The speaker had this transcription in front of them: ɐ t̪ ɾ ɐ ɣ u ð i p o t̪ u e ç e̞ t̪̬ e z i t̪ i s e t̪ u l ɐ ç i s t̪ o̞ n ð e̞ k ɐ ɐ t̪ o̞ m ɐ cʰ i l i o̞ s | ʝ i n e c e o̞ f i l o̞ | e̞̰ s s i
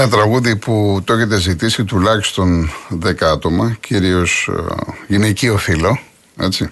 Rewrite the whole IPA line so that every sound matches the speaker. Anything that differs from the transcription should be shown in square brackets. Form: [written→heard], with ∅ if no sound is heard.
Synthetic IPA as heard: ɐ t̪ ɾ ɐ ɣ u ð i p [o→u] t̪ [u→o] e ç e̞ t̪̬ e z i t̪ i s [e→i] t̪ u l ɐ ç i s t̪ o̞ n ð e̞ k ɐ ɐ t̪ o̞ m ɐ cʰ i [l→ɾ] i o̞ s | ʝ i n e c [e→i] o̞ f i l o̞ | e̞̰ [s→t͡s] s i